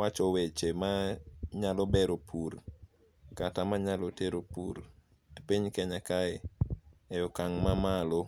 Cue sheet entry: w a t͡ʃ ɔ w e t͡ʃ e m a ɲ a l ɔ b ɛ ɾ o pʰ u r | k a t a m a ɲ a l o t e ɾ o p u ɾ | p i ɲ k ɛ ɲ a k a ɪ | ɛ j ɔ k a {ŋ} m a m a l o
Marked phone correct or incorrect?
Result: correct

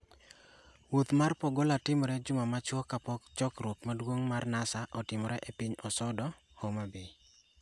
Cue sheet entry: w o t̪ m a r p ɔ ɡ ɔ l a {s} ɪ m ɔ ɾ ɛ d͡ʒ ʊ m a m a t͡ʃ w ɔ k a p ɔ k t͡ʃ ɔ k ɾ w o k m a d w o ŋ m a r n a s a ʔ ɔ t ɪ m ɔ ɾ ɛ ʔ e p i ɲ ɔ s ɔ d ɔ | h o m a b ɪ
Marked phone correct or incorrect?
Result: incorrect: t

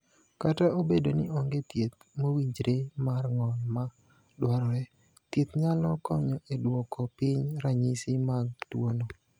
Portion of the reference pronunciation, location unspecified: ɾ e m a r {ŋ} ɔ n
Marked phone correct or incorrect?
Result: correct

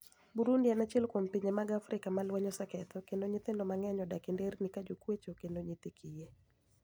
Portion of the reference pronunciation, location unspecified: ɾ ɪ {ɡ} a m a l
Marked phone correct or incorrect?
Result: incorrect: k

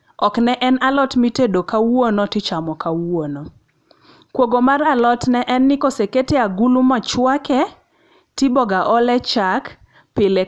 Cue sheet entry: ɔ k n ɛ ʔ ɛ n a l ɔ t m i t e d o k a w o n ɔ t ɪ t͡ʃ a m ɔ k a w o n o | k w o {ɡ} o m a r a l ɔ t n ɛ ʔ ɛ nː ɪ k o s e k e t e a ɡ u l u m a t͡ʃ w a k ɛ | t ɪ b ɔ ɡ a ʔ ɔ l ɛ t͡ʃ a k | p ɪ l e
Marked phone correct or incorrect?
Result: correct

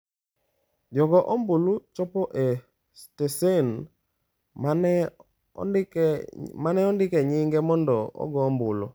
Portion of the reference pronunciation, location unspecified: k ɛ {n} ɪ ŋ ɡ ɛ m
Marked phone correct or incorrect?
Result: incorrect: ɲ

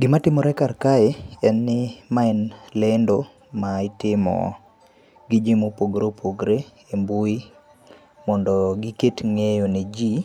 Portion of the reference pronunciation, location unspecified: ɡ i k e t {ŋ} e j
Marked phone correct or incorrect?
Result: correct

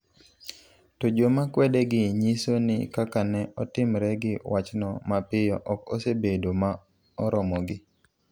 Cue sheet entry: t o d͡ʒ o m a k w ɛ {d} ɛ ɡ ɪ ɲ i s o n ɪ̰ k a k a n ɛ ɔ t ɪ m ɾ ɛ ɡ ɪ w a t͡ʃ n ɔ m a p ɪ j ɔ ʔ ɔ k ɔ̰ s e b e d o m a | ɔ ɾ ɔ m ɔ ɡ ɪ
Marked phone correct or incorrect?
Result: correct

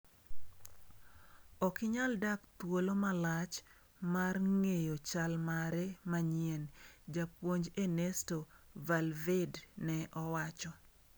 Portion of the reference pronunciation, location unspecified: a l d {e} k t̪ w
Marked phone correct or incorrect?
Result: incorrect: a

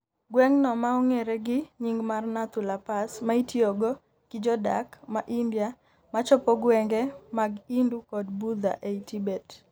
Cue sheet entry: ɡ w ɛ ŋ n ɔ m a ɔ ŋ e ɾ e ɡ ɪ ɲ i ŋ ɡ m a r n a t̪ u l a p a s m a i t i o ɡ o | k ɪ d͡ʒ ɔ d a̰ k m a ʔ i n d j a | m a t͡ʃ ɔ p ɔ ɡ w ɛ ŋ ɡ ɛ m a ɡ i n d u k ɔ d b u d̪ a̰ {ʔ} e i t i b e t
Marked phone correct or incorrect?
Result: correct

